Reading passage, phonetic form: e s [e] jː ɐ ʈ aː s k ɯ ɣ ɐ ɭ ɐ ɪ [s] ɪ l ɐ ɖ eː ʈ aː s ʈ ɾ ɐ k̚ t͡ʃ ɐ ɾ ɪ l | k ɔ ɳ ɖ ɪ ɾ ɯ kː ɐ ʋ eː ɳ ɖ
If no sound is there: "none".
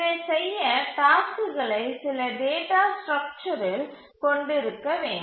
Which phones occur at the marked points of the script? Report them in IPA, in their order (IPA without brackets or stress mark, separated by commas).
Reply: ɛ, s